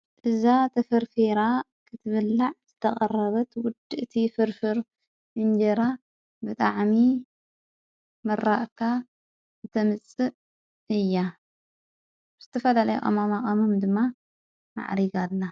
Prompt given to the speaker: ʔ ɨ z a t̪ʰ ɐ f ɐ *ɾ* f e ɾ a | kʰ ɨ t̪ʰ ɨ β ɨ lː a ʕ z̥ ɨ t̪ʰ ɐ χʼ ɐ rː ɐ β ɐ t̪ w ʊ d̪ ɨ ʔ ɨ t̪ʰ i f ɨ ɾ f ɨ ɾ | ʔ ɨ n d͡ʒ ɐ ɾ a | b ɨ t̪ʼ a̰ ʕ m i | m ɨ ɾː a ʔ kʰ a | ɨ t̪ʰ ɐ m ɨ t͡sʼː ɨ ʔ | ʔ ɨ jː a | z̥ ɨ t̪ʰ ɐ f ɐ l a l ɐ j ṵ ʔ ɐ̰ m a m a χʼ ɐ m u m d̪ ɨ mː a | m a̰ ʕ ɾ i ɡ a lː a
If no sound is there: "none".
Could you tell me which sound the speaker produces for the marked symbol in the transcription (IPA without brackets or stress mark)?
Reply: ɾ